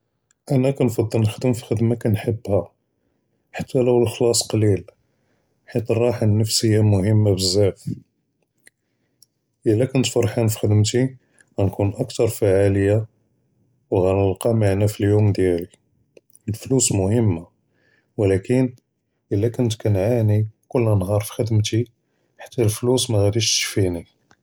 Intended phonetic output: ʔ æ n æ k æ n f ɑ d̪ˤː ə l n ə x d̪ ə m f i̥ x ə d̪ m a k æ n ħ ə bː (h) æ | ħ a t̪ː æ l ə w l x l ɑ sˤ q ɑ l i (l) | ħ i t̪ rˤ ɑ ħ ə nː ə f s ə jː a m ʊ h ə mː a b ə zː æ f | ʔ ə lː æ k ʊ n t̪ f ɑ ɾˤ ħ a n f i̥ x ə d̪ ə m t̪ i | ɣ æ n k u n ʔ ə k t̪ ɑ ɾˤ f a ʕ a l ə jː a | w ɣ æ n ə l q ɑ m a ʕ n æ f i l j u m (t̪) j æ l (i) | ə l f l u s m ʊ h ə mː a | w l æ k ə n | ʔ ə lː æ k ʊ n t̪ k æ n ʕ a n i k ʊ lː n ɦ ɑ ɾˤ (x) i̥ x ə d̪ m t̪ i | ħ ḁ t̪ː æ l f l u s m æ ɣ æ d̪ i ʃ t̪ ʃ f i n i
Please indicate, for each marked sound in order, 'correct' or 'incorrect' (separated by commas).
correct, correct, incorrect, correct, incorrect